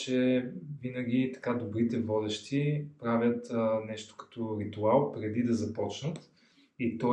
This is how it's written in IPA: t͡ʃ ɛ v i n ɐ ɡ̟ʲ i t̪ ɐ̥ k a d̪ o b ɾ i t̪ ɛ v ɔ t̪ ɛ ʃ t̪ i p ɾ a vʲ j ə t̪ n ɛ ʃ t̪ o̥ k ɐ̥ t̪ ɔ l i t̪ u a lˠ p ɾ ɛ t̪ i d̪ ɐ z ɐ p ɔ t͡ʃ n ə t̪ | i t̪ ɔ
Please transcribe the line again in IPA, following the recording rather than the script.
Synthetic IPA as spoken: t͡ʃ ɛ v i n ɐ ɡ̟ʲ i t̪ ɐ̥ k a d̪ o b ɾ i t̪ ɛ v ɔ d̪ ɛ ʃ t̪ i p ɾ a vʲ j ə t̪ n ɛ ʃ t̪ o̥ k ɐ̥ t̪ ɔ ɾ i t̪ u a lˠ p ɾ ɛ d̪ i d̪ ɐ z ɐ p ɔ t͡ʃ n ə t̪ | i t̪ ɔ